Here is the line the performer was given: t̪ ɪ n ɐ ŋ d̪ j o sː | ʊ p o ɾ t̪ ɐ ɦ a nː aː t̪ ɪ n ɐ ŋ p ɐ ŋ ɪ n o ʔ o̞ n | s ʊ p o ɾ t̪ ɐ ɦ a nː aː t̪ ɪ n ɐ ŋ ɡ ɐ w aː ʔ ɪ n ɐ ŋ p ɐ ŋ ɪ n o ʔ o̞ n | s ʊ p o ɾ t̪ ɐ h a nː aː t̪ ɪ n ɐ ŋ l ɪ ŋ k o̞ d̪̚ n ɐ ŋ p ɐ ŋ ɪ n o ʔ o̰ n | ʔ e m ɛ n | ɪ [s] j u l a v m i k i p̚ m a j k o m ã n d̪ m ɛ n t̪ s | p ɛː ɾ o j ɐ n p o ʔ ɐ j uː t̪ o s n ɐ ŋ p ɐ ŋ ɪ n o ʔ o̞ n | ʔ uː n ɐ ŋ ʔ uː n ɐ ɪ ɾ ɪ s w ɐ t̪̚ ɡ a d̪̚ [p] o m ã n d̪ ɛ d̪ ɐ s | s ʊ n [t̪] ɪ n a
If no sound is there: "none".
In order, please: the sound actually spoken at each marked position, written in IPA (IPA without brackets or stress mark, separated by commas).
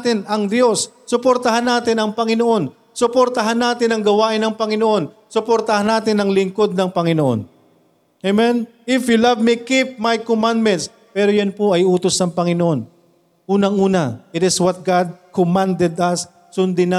f, k, d̪